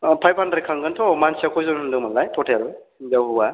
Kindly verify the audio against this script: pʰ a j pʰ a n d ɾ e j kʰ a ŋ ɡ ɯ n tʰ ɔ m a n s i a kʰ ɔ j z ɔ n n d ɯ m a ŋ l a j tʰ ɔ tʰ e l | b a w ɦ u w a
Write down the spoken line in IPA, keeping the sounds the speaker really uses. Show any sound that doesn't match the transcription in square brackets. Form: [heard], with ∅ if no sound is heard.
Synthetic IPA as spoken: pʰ a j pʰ a n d ɾ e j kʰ a ŋ ɡ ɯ n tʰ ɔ m a n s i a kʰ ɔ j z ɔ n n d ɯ m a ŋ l a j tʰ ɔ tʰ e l | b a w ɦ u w a